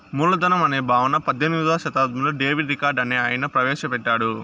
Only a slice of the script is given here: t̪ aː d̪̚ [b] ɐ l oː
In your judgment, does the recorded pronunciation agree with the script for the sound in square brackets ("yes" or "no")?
no